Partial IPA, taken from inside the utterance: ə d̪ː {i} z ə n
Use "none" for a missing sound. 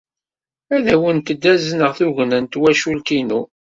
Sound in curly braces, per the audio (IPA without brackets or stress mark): æ